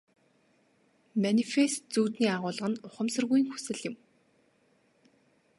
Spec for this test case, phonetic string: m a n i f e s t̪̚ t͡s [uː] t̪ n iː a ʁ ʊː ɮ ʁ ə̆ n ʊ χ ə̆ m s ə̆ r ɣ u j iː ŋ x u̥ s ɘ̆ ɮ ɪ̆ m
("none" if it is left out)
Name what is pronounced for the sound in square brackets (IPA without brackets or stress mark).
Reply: uː